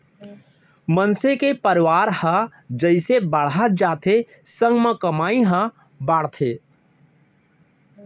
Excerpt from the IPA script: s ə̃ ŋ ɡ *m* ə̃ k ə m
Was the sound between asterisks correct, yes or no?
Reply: yes